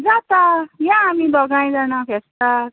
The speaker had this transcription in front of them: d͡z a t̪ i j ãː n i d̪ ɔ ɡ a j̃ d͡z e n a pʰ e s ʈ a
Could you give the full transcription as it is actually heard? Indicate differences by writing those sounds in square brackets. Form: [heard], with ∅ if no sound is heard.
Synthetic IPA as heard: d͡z a t̪ [a] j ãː [m] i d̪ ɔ ɡ a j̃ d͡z [a] n a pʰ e s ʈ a

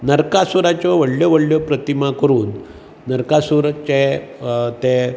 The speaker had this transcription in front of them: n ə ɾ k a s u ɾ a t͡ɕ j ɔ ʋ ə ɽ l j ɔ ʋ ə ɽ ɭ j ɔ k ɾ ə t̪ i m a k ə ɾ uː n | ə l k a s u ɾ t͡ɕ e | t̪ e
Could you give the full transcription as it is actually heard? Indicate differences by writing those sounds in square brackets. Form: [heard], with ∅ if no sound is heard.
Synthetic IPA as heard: n ə ɾ k a s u ɾ a t͡ɕ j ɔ ʋ ə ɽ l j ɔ ʋ ə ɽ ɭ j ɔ [p] ɾ ə t̪ i m a k ə ɾ uː [nː] | ə [ɾ] k a s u ɾ t͡ɕ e | t̪ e

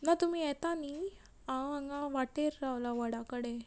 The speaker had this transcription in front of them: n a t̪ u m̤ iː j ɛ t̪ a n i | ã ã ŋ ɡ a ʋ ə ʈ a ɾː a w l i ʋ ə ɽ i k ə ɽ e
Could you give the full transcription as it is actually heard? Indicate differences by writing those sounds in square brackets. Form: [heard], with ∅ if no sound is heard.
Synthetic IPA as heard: n a t̪ u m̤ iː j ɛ t̪ a n i | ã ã ŋ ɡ a ʋ [a] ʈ [e] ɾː a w l [a] ʋ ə ɽ [a] k ə ɽ e

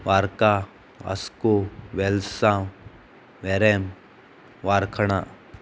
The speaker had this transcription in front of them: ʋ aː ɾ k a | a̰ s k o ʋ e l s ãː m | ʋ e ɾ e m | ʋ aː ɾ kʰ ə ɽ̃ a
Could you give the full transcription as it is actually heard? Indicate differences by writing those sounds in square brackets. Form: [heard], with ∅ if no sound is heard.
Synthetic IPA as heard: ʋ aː ɾ k a | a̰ s k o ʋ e l s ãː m | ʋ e ɾ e m | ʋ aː ɾ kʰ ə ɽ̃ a

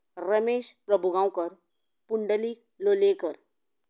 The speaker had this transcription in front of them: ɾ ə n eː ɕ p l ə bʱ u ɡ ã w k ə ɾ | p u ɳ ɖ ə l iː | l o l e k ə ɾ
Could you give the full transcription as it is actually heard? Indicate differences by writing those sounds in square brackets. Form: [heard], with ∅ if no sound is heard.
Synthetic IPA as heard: ɾ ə [m] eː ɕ p [ɾ] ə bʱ u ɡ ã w k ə ɾ | p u ɳ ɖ ə l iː | l o l e k ə ɾ

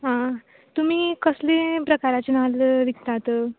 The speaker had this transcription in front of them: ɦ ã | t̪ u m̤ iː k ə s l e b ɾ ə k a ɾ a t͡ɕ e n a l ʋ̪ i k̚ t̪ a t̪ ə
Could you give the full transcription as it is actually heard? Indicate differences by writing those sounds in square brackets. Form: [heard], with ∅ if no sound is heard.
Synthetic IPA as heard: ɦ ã | t̪ u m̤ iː k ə s l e [p] ɾ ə k a ɾ a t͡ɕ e n a l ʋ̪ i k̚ t̪ a t̪ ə

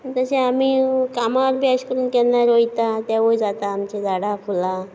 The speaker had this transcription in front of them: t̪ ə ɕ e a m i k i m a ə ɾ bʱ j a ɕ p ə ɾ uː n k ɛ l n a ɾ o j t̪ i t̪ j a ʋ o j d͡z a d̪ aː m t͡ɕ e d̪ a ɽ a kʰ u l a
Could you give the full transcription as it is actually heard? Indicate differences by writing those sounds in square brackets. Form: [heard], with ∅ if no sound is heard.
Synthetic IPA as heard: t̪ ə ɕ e a m i k [a] m a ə ɾ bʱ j a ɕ [k] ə ɾ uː n k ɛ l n a ɾ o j t̪ [a] t̪ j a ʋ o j d͡z a [t̪] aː m t͡ɕ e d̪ a ɽ a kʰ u l a

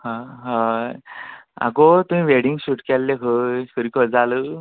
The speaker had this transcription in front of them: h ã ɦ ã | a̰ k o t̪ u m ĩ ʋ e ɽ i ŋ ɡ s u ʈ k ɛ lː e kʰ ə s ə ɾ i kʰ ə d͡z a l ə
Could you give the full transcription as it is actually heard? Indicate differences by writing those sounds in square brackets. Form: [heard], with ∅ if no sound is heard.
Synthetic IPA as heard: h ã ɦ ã | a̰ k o t̪ u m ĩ ʋ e ɽ i ŋ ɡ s u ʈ k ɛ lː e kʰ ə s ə ɾ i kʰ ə d͡z a l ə

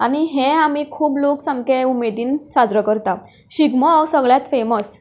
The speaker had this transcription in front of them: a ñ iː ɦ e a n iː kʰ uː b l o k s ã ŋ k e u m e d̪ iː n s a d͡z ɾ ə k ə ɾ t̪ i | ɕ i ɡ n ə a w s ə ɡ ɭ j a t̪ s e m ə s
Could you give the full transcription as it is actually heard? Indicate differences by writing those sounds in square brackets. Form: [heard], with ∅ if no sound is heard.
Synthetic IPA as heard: a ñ [i] ɦ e a [m] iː kʰ uː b l o k s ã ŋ k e u m e d̪ iː n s a d͡z ɾ ə k ə ɾ t̪ [a] | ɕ i ɡ [m] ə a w s ə ɡ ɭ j a t̪ [f] e m ə s

